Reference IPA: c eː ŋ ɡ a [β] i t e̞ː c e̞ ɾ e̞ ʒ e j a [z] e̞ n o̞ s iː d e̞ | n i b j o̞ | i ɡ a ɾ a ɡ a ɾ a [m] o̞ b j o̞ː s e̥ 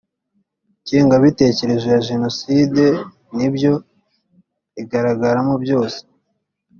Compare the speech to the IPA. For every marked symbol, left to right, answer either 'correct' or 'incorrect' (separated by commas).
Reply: correct, incorrect, correct